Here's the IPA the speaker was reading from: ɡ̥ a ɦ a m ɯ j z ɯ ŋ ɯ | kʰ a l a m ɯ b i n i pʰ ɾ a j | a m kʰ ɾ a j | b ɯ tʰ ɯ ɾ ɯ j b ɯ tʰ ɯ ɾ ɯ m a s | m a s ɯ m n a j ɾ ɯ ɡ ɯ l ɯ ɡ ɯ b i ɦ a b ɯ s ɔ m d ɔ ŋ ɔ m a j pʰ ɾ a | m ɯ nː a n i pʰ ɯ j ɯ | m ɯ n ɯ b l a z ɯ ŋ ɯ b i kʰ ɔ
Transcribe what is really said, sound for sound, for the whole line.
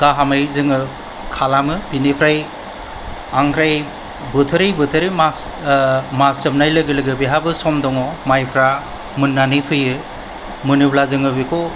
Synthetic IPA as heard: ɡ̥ a ɦ a m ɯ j z ɯ ŋ ɯ | kʰ a l a m ɯ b i n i pʰ ɾ a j | a ŋ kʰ ɾ a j | b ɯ tʰ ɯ ɾ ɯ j b ɯ tʰ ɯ ɾ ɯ m a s | m a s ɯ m n a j l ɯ ɡ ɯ l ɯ ɡ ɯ b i ɦ a b ɯ s ɔ m d ɔ ŋ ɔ m a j pʰ ɾ a | m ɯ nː a n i pʰ ɯ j ɯ | m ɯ n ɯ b l a z ɯ ŋ ɯ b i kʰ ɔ